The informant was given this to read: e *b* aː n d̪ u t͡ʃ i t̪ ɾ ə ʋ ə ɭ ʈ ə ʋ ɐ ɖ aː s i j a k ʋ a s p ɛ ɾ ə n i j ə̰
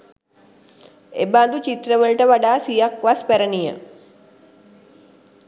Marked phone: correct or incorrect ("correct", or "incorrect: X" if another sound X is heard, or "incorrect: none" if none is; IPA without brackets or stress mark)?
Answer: correct